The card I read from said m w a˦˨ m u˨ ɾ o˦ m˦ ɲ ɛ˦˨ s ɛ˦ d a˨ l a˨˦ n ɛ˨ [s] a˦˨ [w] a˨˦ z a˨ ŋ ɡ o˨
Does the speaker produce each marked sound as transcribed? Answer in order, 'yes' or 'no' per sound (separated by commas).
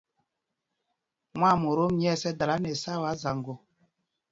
yes, yes